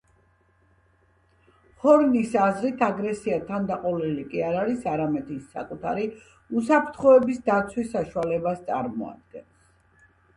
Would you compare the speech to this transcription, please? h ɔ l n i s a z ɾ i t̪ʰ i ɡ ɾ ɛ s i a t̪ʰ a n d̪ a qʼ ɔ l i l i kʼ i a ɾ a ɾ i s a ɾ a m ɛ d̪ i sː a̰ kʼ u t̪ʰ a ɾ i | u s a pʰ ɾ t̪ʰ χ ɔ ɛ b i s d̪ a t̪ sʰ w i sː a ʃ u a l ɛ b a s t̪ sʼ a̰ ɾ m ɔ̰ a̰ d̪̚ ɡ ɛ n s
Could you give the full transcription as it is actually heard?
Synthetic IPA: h ɔ ɾ n i s a z ɾ i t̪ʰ a ɡ ɾ ɛ s i a t̪ʰ a n d̪ a qʼ ɔ l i l i kʼ i a ɾ a ɾ i s a ɾ a m ɛ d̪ i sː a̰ kʼ u t̪ʰ a ɾ i | u s a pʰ ɾ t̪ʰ χ ɔ ɛ b i s d̪ a t̪ sʰ w i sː a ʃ u a l ɛ b a s t̪ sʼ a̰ ɾ m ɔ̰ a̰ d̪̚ ɡ ɛ n s